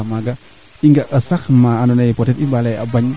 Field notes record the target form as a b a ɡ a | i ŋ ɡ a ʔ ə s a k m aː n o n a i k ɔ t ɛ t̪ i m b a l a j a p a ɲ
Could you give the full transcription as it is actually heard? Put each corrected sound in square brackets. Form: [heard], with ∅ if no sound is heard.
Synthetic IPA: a [m] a ɡ a | i ŋ ɡ a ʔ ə s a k m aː n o n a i [p] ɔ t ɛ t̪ i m b a l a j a [b] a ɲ